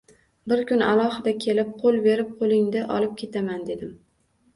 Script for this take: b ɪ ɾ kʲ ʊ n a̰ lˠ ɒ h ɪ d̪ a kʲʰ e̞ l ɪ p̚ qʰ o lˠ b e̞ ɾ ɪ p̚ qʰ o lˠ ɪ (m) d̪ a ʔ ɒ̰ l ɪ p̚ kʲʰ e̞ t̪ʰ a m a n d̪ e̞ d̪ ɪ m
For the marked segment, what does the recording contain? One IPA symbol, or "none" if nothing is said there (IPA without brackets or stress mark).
ŋ